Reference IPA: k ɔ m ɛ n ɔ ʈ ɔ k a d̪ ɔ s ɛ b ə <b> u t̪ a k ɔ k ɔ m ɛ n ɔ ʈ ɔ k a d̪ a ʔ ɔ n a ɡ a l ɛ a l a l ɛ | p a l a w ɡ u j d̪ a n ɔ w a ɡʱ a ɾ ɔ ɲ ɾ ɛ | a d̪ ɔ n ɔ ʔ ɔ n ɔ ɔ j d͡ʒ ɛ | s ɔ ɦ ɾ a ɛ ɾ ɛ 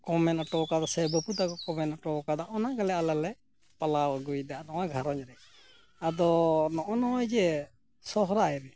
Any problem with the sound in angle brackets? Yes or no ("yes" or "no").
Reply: yes